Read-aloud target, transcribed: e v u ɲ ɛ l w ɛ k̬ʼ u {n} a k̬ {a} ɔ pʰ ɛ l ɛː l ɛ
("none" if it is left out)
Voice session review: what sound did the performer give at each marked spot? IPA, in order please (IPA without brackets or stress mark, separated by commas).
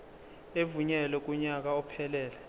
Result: ɲ, a